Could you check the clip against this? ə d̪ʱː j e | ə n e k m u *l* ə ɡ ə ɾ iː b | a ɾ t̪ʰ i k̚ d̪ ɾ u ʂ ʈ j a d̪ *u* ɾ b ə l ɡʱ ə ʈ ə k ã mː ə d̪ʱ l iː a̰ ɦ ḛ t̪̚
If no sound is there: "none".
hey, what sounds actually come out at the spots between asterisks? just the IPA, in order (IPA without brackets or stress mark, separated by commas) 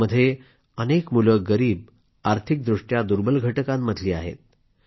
l, u